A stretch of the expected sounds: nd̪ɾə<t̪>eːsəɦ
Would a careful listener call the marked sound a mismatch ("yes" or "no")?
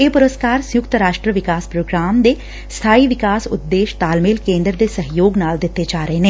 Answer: yes